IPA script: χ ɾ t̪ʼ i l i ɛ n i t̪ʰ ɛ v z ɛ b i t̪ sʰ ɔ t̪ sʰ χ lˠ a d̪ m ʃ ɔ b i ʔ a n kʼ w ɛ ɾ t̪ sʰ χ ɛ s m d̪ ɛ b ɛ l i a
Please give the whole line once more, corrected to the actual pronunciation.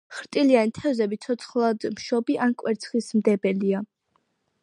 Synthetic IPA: χ ɾ t̪ʼ i l i a n i t̪ʰ ɛ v z ɛ b i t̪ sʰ ɔ t̪ sʰ χ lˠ a d̪ m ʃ ɔ b i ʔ a n kʼ w ɛ ɾ t̪ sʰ χ i s m d̪ ɛ b ɛ l i a